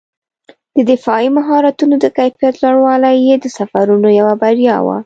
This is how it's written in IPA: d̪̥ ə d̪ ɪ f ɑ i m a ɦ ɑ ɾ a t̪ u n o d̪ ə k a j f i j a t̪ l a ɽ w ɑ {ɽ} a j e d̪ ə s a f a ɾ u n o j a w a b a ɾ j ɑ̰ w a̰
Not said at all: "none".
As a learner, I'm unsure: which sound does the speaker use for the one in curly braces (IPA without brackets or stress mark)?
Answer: l